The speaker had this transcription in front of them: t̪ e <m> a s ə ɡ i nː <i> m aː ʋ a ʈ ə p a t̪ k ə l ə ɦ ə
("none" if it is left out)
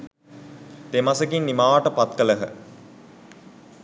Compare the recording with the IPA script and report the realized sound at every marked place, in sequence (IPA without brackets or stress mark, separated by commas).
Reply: m, i